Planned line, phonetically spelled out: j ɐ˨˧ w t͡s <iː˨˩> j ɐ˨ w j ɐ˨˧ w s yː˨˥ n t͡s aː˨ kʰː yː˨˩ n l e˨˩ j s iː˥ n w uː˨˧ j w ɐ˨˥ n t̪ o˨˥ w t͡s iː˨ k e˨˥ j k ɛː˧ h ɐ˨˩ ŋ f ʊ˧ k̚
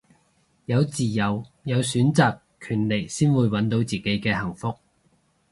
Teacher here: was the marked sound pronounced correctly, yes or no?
yes